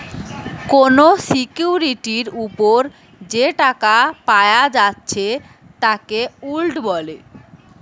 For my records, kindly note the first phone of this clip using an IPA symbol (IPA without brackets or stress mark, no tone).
k